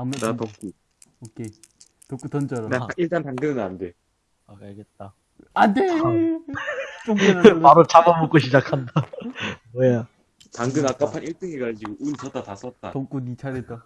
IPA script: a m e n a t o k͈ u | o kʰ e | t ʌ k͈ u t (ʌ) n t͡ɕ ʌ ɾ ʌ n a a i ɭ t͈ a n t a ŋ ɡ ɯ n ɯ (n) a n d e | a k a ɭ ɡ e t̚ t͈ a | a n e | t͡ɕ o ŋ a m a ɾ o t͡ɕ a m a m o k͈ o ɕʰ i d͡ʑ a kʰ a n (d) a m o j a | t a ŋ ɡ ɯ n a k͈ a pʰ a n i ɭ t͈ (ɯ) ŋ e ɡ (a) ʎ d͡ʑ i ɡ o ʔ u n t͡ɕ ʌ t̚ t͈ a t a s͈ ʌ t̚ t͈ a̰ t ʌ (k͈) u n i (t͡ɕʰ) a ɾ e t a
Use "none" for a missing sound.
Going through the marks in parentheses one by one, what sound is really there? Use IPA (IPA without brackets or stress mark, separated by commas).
ʌ, n, d, ɯ, a, k͈, t͡ɕʰ